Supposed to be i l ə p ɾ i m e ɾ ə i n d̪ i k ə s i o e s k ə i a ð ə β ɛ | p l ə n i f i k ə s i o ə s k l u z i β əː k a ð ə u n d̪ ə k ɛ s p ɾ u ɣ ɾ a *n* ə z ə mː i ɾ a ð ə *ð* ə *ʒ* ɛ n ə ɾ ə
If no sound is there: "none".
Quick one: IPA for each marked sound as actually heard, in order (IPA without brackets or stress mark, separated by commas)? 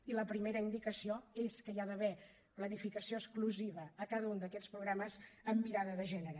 m, ð, ʒ